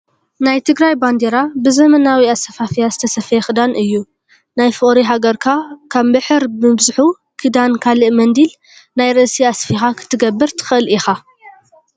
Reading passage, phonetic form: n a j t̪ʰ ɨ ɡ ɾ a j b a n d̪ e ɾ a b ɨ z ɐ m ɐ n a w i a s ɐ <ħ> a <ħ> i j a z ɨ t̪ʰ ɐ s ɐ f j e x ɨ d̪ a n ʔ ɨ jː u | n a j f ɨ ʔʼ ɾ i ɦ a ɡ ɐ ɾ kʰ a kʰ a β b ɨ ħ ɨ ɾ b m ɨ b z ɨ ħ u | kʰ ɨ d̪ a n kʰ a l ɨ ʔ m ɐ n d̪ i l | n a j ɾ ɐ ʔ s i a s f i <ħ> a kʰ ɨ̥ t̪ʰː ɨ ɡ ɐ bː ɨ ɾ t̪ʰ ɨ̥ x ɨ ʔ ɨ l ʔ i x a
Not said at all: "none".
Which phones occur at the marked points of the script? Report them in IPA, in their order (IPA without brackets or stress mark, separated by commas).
f, f, x